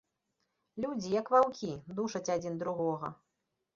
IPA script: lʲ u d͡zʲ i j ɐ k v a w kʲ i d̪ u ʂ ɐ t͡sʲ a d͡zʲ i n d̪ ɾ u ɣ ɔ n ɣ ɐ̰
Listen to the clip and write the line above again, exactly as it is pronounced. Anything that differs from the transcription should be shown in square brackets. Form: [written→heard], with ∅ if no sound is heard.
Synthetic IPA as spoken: lʲ u d͡zʲ i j ɐ k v a w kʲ i d̪ u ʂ ɐ t͡sʲ a d͡zʲ i n d̪ ɾ u ɣ ɔ [n→∅] ɣ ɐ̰